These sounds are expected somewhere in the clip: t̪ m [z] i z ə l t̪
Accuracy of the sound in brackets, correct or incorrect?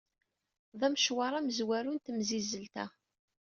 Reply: correct